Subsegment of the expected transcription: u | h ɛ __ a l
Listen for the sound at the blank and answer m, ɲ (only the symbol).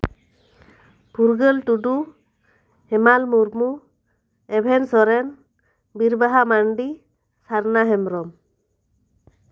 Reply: m